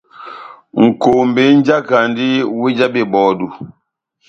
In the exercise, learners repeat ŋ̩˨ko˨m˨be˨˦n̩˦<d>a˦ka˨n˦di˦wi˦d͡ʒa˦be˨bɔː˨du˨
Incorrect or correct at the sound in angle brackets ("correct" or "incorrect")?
incorrect